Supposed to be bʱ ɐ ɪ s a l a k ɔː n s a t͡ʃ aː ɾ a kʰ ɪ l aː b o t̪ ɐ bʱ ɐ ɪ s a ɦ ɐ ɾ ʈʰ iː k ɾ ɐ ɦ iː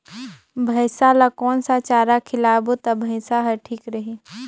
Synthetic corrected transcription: bʱ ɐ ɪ s a l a k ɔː n s a t͡ʃ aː ɾ a kʰ ɪ l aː b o t̪ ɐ bʱ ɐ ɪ s a ɦ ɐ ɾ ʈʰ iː k ɾ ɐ ɦ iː